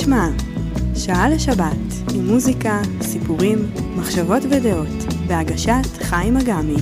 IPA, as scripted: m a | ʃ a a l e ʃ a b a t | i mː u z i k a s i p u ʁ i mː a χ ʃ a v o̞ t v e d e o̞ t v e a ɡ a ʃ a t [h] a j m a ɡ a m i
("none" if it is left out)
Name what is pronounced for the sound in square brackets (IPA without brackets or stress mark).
χ